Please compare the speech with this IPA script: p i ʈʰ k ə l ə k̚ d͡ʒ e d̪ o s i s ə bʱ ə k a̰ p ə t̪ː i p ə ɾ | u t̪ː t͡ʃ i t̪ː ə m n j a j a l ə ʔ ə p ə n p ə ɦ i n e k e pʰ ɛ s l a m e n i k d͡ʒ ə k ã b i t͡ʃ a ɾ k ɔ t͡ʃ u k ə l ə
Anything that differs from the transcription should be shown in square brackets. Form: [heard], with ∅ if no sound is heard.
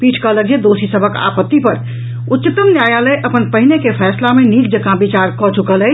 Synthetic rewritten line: p i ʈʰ k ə l ə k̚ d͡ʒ e d̪ o s i s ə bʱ ə k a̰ p ə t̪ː i p ə ɾ | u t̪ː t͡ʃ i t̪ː ə m n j a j a l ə ʔ ə p ə n p ə ɦ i n e k e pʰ ɛ s l a m e n i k d͡ʒ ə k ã b i t͡ʃ a ɾ k ɔ t͡ʃ u k ə l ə

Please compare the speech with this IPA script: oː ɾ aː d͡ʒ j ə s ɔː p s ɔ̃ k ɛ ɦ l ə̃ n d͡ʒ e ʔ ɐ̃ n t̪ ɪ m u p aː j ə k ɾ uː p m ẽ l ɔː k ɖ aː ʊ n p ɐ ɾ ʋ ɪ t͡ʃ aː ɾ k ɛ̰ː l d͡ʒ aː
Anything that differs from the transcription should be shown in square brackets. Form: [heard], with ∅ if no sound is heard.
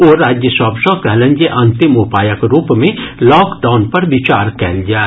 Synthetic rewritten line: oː ɾ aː d͡ʒ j ə s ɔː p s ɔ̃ k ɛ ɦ l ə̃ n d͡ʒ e ʔ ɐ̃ n t̪ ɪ m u p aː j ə k ɾ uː p m ẽ l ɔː k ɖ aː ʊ n p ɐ ɾ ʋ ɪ t͡ʃ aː ɾ k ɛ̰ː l d͡ʒ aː

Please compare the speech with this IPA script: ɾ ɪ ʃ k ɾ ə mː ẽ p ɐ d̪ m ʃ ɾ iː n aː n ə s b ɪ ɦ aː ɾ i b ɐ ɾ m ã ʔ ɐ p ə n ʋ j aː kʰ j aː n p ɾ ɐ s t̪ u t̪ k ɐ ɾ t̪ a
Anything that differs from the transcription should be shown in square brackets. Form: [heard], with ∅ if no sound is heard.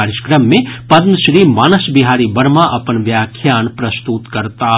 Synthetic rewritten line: ɾ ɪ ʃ k ɾ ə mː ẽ p ɐ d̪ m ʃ ɾ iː [m] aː n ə s b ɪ ɦ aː ɾ i b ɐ ɾ m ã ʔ ɐ p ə n ʋ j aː kʰ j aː n p ɾ ɐ s t̪ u t̪ k ɐ ɾ t̪ a

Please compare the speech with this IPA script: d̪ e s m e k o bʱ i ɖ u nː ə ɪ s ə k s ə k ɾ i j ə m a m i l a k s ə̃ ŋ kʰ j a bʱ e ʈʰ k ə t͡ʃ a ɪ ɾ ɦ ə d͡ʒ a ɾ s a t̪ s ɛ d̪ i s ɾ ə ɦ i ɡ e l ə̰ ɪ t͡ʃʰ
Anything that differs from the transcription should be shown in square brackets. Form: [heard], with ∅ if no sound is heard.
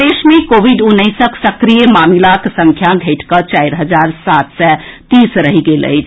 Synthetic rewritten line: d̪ e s m e k o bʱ i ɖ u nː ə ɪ s ə k s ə k ɾ i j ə m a m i l a k s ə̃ ŋ kʰ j a [ɡʱ] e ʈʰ k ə t͡ʃ a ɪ ɾ ɦ ə d͡ʒ a ɾ s a t̪ s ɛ [t̪] i s ɾ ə ɦ i ɡ e l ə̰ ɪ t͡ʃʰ

